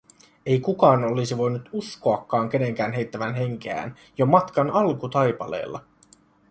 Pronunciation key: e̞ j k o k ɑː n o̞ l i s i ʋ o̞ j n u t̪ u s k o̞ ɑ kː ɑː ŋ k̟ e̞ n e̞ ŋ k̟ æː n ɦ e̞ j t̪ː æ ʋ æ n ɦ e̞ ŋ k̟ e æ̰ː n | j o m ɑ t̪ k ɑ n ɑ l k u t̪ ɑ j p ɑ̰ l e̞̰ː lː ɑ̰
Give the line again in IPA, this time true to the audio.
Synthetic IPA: e̞ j k u k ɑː n o̞ l i s i ʋ o̞ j n u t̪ u s k o̞ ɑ kː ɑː ŋ k̟ e̞ n e̞ ŋ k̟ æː n ɦ e̞ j t̪ː æ ʋ æ n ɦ e̞ ŋ k̟ e æ̰ː n | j o m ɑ t̪ k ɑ n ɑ l k u t̪ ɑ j p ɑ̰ l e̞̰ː lː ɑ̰